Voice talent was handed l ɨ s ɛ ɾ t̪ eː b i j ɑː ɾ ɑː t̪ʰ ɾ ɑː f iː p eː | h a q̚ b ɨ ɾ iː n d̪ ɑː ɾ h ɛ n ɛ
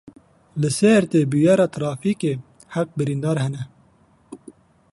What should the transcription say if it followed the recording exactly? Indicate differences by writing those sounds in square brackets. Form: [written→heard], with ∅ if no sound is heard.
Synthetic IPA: l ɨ s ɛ ɾ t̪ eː b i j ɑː ɾ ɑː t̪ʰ ɾ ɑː f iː [p→k] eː | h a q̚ b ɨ ɾ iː n d̪ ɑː ɾ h ɛ n ɛ